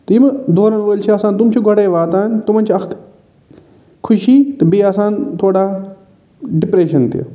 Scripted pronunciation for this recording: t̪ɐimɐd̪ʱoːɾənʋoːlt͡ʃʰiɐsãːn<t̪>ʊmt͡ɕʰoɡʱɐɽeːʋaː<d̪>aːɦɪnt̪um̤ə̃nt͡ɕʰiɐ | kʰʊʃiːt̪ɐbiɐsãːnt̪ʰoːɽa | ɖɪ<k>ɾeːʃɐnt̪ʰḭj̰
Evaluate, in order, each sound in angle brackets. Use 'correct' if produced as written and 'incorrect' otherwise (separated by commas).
correct, incorrect, incorrect